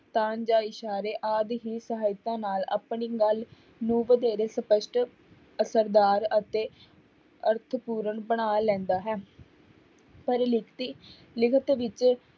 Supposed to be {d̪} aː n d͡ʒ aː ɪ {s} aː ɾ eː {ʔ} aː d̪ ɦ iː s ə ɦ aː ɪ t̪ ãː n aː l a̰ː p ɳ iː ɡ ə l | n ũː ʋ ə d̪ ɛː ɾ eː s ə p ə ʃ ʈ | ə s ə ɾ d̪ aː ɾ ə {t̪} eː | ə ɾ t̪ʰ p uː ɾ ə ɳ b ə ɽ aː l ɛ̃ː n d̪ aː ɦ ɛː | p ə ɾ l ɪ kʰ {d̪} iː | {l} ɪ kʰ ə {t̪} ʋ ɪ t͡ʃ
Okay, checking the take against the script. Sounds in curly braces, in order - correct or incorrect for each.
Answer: incorrect: t̪, incorrect: ʃ, correct, correct, incorrect: t̪, correct, correct

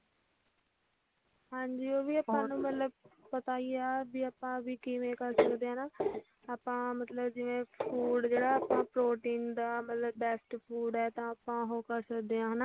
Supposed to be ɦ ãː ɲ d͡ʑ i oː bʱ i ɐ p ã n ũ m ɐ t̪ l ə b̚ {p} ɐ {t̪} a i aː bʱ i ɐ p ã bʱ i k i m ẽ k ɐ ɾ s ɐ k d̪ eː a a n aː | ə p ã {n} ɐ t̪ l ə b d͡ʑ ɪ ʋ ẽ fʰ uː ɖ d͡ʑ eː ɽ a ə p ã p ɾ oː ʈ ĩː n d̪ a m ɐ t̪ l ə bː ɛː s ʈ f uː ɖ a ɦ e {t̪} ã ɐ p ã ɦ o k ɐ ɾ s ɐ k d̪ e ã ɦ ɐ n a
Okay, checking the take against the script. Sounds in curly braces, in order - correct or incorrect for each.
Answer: correct, correct, incorrect: m, correct

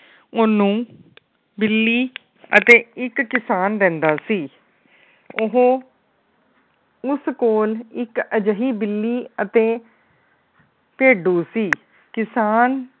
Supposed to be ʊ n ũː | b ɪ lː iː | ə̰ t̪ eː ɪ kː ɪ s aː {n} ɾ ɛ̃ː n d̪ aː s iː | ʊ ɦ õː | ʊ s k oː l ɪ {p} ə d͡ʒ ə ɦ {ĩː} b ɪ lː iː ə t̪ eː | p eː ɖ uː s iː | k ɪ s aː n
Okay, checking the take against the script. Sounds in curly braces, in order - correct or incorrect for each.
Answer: correct, incorrect: k, incorrect: iː

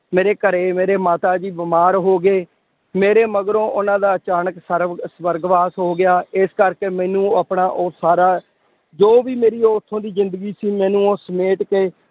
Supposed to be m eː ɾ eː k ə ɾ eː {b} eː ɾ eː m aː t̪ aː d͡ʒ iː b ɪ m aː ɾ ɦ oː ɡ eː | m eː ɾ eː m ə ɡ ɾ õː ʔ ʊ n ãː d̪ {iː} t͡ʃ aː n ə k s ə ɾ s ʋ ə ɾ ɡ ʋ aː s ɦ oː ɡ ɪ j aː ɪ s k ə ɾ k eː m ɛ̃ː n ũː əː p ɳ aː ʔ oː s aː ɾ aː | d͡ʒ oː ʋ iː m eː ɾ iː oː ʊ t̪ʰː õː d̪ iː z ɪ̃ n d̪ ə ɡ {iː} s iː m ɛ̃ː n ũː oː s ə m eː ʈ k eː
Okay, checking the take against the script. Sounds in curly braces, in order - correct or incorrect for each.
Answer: incorrect: m, incorrect: aː, correct

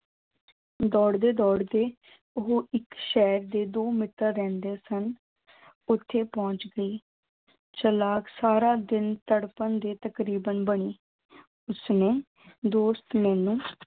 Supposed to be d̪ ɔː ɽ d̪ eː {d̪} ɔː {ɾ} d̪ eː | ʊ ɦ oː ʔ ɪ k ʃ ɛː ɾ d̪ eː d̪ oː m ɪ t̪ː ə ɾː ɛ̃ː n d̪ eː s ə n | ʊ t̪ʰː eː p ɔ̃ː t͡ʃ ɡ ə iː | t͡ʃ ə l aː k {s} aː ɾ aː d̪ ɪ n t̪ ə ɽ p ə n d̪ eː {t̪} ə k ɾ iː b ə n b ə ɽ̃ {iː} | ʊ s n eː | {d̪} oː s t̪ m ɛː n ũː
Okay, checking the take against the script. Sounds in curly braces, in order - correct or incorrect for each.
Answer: correct, incorrect: ɽ, correct, correct, correct, correct

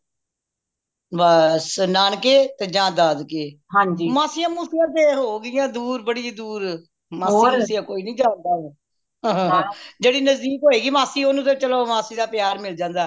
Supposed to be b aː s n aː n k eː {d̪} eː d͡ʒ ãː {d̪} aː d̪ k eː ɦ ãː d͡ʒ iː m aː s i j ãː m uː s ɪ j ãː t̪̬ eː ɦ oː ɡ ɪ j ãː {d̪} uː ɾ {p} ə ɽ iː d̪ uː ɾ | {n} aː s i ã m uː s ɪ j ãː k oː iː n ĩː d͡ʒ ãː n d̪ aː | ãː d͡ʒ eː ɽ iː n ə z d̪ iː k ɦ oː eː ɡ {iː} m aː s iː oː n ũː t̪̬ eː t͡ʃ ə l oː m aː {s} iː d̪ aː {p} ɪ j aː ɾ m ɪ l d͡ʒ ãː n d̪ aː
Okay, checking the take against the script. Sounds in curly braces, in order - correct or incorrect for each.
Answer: incorrect: t̪, correct, correct, incorrect: b, incorrect: m, correct, correct, correct

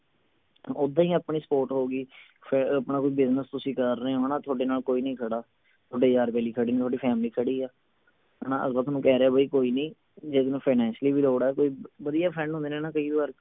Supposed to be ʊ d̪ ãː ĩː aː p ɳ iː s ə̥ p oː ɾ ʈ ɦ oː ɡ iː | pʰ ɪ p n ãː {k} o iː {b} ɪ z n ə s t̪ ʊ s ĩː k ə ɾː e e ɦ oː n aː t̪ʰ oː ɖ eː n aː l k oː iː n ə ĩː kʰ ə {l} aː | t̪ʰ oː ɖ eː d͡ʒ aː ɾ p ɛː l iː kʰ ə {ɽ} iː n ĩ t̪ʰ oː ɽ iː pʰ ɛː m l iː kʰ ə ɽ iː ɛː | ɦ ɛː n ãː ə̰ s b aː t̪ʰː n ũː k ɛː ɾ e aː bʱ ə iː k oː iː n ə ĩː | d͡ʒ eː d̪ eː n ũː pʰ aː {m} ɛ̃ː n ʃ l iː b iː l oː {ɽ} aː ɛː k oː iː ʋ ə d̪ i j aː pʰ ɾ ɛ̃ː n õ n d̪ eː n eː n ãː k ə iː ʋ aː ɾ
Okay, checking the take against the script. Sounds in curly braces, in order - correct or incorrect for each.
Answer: correct, correct, incorrect: ɽ, correct, incorrect: n, correct

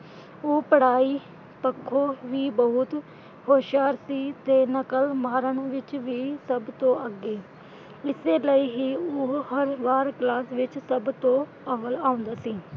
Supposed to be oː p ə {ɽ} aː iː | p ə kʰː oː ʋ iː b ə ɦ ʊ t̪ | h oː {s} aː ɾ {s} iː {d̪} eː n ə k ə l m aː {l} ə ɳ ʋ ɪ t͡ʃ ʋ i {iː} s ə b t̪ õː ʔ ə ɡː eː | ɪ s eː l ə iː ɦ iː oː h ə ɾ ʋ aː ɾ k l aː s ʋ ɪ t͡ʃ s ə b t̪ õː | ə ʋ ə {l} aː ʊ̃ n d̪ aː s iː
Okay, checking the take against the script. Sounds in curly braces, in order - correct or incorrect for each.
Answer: correct, incorrect: ʃ, correct, incorrect: t̪, incorrect: ɾ, correct, correct

